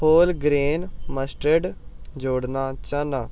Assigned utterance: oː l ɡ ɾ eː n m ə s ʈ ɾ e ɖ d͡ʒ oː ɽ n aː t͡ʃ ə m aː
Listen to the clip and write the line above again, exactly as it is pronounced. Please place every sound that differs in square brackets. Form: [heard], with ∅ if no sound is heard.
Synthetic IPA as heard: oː l ɡ ɾ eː n m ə s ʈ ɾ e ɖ d͡ʒ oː ɽ n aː t͡ʃ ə [n] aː